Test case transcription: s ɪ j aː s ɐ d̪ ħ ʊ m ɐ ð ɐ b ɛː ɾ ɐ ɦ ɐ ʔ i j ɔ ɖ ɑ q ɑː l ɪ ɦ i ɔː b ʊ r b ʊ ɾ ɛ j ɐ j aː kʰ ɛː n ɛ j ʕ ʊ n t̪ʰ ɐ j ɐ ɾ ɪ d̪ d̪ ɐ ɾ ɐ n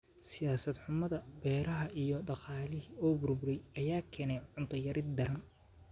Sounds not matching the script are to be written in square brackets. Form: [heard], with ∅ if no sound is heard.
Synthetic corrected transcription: s ɪ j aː s ɐ d̪ ħ ʊ m ɐ ð ɐ b ɛː ɾ ɐ ɦ ɐ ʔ i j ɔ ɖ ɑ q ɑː l ɪ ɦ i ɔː b ʊ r b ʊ ɾ ɛ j ɐ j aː kʰ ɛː n ɛ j ʕ ʊ n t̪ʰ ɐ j ɐ ɾ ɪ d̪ d̪ ɐ ɾ ɐ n